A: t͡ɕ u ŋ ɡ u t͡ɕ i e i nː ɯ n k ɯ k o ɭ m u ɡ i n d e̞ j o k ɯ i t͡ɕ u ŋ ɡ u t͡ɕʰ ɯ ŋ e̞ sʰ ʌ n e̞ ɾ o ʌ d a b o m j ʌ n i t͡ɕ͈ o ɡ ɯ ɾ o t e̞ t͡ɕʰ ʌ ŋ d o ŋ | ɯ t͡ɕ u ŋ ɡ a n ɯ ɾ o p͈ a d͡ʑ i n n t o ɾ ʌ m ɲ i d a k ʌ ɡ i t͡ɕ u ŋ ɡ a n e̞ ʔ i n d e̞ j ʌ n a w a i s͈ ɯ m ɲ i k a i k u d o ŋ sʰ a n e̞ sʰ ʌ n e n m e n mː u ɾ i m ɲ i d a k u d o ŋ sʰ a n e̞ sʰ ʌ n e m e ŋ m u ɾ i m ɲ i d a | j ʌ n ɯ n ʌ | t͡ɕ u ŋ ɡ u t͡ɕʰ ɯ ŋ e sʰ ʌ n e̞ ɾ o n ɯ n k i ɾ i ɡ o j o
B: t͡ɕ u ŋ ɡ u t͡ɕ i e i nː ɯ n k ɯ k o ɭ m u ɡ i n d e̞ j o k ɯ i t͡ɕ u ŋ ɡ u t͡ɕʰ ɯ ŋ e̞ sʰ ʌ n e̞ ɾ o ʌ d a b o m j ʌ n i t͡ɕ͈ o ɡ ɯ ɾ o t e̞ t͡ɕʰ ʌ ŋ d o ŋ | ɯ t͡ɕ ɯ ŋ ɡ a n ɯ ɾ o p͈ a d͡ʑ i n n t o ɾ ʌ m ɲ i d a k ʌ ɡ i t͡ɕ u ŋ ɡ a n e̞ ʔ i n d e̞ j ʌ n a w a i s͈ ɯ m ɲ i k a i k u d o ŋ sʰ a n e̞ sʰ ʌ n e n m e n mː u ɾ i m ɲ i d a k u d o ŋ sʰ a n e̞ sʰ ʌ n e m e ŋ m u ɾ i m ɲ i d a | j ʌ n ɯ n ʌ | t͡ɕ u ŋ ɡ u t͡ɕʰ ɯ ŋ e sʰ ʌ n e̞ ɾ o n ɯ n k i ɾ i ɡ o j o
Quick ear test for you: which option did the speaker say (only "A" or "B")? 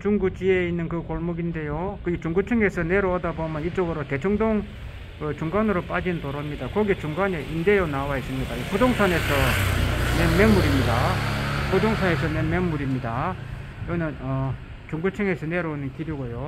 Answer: A